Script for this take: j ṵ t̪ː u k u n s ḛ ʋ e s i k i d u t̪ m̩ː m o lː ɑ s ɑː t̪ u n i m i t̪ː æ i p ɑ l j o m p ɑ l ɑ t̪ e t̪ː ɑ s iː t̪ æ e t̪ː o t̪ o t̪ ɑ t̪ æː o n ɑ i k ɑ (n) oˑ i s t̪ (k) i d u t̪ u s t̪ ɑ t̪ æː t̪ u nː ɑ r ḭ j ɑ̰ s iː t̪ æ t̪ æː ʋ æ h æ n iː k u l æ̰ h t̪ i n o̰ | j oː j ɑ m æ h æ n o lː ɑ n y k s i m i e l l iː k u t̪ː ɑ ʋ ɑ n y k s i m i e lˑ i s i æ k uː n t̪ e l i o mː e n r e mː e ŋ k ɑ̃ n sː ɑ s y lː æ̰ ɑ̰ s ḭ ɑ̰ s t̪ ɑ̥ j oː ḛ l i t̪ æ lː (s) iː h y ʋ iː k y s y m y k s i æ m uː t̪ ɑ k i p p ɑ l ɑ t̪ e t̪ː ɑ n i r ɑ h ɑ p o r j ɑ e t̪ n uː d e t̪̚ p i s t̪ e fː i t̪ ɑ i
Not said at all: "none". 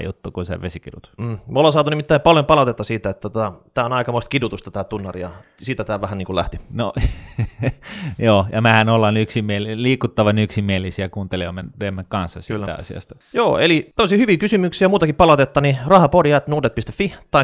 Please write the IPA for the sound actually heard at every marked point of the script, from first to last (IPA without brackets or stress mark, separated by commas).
m, k, s